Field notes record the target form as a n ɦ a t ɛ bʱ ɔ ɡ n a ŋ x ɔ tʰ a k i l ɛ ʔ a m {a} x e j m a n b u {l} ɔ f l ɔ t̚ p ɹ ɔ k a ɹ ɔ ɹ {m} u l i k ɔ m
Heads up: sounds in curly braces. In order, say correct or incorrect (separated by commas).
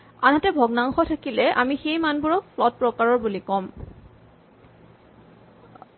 incorrect, incorrect, incorrect